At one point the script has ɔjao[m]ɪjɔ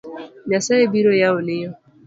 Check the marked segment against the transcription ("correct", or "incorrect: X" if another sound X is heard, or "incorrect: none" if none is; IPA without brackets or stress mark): incorrect: n